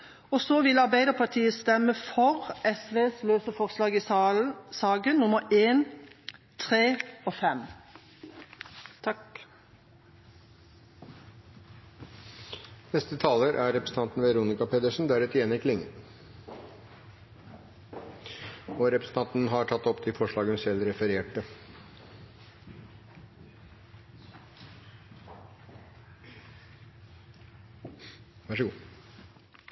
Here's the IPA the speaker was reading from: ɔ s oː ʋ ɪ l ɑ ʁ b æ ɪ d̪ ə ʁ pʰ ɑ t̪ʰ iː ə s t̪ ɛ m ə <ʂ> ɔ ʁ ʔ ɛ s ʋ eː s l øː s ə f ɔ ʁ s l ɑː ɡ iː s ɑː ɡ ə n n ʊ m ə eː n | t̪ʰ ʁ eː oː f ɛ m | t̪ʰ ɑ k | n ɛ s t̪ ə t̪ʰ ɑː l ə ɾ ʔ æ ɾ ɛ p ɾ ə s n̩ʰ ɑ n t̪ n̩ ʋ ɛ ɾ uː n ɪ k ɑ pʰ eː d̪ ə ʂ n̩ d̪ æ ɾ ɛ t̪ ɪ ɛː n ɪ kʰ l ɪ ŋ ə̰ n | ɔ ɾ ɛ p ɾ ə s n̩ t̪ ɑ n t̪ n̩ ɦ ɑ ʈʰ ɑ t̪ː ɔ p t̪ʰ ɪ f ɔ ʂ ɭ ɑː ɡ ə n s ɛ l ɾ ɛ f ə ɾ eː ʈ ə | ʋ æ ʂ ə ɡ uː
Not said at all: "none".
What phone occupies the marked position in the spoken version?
f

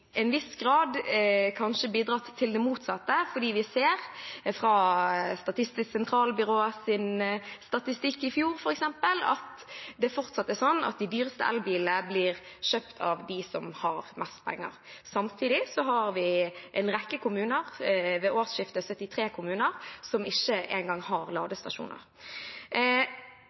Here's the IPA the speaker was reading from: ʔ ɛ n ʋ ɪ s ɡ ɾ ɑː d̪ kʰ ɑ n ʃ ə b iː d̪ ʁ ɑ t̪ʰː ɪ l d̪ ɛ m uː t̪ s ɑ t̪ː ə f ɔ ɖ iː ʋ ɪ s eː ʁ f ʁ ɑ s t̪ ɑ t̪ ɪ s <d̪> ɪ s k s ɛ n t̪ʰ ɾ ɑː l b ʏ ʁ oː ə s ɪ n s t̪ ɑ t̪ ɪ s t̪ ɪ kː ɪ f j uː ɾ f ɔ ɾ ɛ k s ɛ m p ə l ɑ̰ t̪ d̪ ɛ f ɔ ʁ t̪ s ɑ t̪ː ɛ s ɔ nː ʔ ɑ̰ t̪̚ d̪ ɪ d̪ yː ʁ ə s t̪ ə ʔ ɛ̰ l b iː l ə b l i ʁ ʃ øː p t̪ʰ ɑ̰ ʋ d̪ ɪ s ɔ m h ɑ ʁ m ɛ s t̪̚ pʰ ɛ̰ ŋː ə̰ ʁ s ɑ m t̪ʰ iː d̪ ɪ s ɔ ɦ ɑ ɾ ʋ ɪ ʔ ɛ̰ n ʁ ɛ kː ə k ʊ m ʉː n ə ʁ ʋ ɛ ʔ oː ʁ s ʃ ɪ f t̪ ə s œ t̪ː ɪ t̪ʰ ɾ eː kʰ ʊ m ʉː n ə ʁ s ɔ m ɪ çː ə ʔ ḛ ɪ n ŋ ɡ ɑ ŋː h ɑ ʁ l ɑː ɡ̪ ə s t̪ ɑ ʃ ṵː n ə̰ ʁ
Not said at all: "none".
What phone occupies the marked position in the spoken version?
t̪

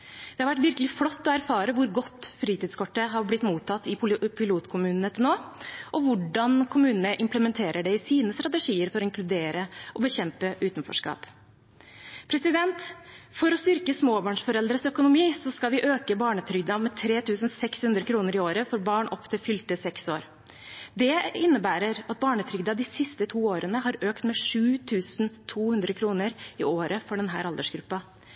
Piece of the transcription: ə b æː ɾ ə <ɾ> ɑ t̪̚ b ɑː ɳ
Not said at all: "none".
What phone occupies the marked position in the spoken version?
ɾ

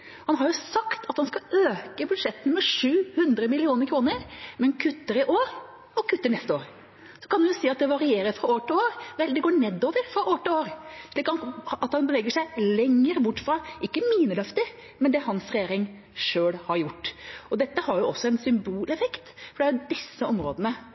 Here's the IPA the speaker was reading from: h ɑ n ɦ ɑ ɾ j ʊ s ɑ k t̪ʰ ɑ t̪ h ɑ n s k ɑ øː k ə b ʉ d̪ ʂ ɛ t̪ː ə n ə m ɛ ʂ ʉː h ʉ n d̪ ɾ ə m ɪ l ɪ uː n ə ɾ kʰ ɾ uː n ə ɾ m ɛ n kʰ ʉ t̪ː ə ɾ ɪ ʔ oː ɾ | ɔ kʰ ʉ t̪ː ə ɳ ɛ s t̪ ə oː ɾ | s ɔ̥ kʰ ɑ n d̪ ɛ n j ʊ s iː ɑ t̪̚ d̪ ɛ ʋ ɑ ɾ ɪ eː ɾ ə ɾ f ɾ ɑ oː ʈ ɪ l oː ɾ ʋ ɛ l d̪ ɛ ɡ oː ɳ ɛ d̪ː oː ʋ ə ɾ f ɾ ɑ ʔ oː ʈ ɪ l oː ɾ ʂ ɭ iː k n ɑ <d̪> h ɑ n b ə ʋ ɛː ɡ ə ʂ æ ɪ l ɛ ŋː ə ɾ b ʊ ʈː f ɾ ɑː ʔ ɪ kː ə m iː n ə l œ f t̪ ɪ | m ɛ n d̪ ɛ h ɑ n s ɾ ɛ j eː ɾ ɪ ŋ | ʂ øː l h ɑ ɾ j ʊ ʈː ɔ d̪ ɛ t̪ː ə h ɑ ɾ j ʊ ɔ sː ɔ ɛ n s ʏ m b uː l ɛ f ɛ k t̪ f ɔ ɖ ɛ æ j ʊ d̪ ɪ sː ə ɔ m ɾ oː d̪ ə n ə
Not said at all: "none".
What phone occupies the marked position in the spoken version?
t̪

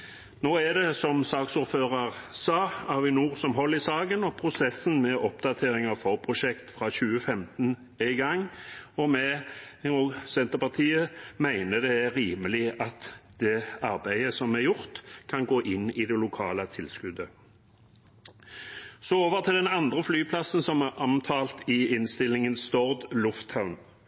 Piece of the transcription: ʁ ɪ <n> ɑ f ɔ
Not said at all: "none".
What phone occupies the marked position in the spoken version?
ŋ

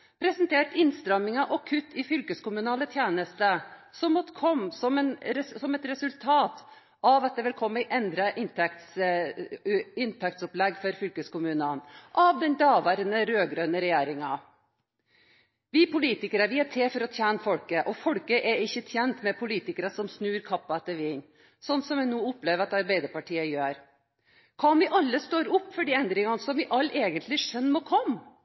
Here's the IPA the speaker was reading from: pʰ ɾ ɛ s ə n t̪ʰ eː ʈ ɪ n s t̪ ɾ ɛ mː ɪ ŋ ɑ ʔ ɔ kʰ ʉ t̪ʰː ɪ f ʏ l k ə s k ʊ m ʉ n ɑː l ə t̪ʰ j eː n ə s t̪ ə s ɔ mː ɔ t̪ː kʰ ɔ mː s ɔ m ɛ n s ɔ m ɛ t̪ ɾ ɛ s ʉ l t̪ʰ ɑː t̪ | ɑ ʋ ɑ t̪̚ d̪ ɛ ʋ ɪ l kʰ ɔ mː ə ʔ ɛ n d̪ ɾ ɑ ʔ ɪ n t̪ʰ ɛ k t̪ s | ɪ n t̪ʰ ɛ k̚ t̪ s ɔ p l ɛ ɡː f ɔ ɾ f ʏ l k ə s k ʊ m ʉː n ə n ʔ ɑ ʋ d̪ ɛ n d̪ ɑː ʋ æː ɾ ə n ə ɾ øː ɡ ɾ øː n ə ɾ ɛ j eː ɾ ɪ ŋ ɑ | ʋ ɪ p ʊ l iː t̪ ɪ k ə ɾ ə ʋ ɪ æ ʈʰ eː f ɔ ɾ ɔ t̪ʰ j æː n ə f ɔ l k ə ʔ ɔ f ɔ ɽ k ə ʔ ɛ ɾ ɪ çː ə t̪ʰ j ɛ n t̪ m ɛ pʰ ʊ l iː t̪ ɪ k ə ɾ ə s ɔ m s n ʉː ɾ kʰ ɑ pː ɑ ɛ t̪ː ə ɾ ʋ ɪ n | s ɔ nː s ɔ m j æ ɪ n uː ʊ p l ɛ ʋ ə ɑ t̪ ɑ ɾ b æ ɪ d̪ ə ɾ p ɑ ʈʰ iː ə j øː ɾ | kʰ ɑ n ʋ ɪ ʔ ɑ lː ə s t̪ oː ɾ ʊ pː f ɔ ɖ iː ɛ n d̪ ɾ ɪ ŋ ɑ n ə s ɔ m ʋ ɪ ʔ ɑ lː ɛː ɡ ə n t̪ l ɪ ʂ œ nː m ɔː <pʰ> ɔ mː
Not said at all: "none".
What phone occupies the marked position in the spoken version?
kʰ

